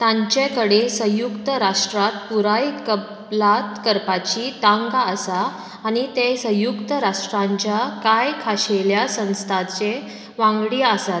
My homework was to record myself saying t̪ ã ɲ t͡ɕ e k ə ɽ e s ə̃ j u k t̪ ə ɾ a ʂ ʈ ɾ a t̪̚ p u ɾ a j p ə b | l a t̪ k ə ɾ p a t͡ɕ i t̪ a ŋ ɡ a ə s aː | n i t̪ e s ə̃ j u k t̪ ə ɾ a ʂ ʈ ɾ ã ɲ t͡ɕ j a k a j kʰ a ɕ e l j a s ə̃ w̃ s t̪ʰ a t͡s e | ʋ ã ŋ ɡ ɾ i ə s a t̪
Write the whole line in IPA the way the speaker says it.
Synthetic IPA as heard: t̪ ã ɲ t͡ɕ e k ə ɽ e s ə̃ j u k t̪ ə ɾ a ʂ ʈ ɾ a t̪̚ p u ɾ a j k ə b | l a t̪ k ə ɾ p a t͡ɕ i t̪ a ŋ ɡ a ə s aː | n i t̪ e s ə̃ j u k t̪ ə ɾ a ʂ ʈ ɾ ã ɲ t͡ɕ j a k a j kʰ a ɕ e l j a s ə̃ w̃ s t̪ʰ a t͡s e | ʋ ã ŋ ɡ ɽ i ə s a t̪

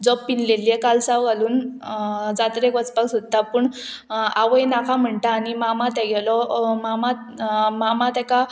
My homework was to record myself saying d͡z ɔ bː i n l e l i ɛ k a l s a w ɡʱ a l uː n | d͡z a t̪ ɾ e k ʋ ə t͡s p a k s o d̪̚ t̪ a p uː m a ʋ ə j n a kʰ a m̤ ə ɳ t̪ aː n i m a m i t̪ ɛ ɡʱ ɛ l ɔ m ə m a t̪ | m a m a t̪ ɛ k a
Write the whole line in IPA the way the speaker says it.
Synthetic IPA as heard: d͡z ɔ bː i n l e l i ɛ k a l s a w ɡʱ a l uː n | d͡z a t̪ ɾ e k ʋ ə t͡s p a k s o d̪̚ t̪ a p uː ɳ a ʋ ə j n a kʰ a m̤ ə ɳ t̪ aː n i m a m a t̪ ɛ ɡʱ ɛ l ɔ m a m a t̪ | m a m a t̪ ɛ k a

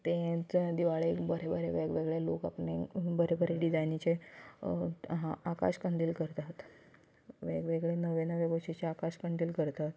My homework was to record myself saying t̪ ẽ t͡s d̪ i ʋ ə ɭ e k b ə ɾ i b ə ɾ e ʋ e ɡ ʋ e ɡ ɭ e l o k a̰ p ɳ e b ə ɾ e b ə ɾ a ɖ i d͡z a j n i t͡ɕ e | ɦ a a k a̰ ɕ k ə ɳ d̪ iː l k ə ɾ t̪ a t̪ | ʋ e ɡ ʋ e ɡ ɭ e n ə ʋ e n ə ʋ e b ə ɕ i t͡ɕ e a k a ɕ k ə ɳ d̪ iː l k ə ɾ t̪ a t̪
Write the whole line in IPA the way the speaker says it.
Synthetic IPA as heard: t̪ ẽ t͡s d̪ i ʋ a ɭ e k b ə ɾ e b ə ɾ e ʋ e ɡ ʋ e ɡ ɭ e l o k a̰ p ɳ e b ə ɾ e b ə ɾ e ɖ i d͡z a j n i t͡ɕ e | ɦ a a k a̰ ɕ k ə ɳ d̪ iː l k ə ɾ t̪ a t̪ | ʋ e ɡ ʋ e ɡ ɭ e n ə ʋ e n ə ʋ e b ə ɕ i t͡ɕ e a k a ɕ k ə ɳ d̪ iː l k ə ɾ t̪ a t̪

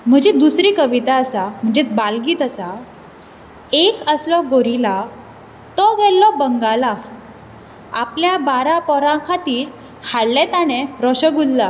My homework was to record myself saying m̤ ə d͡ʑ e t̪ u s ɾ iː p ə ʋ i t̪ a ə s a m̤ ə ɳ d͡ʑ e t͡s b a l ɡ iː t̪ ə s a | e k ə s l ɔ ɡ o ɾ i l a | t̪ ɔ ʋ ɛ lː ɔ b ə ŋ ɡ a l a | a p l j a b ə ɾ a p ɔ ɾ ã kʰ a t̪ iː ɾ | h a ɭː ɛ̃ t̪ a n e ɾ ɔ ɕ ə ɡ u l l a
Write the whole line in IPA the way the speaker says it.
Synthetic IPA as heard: m̤ ə d͡ʑ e d̪ u s ɾ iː k ə ʋ i t̪ a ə s a m̤ ə ɳ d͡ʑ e t͡s b a l ɡ iː t̪ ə s a | e k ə s l ɔ ɡ o ɾ i l a | t̪ ɔ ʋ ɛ lː ɔ b ə ŋ ɡ a l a | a p l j a b a ɾ a p ɔ ɾ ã kʰ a t̪ iː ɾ | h a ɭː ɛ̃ t̪ a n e ɾ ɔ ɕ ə ɡ u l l a

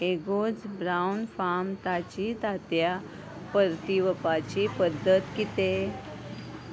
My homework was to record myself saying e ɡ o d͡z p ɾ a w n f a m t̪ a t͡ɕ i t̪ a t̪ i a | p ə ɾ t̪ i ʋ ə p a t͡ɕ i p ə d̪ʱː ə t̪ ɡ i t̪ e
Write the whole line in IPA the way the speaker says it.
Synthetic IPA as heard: e ɡ o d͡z b ɾ a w n f a m t̪ a t͡ɕ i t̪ a t̪ j a | p ə ɾ t̪ i ʋ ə p a t͡ɕ i p ə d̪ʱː ə t̪ k i t̪ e

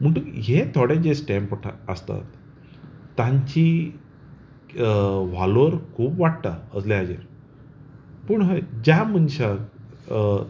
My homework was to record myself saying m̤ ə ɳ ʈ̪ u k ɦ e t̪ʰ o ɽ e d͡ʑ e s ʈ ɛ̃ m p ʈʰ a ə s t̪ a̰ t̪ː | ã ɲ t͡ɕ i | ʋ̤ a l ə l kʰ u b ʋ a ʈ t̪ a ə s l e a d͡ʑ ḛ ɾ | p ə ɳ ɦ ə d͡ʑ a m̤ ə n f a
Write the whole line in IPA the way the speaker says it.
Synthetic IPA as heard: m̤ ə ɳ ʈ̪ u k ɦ e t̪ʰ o ɽ e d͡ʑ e s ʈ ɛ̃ m p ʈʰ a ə s t̪ a̰ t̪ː | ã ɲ t͡ɕ i | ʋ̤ a l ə ɾ kʰ uː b ʋ a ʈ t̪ a ə s l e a d͡ʑ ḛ ɾ | p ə ɳ ɦ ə d͡ʑ a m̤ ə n ɕ a

